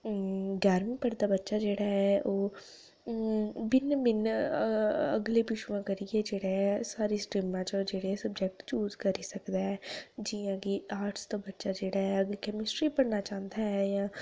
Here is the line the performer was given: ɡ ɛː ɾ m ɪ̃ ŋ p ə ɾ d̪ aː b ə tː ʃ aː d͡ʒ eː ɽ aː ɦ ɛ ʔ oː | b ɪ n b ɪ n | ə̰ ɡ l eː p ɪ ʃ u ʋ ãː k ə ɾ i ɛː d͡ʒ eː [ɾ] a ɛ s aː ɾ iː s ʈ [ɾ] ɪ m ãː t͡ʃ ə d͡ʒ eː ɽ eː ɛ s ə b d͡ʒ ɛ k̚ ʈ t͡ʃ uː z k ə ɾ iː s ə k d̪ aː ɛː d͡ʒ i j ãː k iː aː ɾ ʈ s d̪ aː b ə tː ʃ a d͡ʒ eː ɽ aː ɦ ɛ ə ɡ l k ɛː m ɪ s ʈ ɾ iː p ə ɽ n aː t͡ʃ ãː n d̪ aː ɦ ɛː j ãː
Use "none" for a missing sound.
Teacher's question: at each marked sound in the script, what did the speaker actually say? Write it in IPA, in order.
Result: ɽ, ɾ

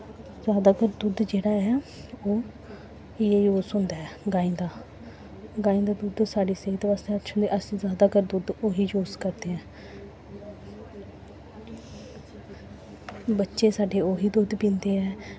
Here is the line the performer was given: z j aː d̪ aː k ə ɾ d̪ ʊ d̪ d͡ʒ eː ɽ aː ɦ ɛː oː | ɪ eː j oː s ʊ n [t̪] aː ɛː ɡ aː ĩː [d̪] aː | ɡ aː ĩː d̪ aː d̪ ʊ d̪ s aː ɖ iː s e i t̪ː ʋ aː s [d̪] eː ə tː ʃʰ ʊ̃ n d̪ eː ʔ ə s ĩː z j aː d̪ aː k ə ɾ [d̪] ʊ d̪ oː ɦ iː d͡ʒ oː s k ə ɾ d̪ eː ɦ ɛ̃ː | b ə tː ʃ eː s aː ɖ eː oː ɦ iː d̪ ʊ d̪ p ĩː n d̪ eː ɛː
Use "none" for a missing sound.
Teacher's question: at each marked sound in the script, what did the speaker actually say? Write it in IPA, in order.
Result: d̪, d̪, t̪, d̪

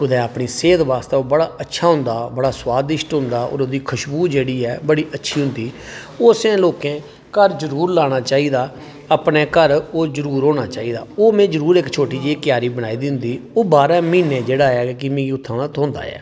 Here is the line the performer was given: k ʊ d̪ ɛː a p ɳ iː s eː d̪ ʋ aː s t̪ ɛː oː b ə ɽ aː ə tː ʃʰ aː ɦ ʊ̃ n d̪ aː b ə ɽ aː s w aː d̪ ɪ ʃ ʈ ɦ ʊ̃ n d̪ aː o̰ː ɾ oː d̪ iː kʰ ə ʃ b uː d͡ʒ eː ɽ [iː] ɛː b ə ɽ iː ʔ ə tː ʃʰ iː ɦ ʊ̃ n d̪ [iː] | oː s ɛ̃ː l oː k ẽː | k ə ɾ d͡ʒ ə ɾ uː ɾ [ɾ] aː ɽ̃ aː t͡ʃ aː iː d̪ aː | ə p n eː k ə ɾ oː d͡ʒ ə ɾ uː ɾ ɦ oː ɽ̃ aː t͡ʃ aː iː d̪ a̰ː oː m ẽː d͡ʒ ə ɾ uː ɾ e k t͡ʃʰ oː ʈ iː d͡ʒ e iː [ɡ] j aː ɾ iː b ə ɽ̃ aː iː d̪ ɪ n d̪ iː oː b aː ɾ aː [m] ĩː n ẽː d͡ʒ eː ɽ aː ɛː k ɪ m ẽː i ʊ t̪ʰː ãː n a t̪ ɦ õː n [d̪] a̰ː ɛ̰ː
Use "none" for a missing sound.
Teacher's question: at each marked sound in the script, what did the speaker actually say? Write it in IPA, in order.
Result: iː, iː, l, k, m, d̪

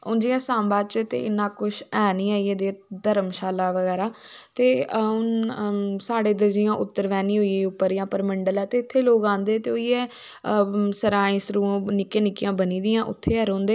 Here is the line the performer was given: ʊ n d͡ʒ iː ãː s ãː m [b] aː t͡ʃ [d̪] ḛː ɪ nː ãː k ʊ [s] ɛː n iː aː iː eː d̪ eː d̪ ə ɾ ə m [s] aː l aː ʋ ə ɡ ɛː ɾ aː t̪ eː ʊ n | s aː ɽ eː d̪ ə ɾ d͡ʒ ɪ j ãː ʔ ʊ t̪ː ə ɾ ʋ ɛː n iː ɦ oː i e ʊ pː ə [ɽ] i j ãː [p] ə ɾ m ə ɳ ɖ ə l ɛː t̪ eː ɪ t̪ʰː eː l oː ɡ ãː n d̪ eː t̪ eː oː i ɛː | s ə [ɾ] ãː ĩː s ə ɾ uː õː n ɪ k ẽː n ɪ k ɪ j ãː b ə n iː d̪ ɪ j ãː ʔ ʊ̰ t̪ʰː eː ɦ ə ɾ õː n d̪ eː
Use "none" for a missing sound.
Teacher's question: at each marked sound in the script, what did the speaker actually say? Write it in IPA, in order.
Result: b, t̪, ʃ, ʃ, ɾ, p, ɾ

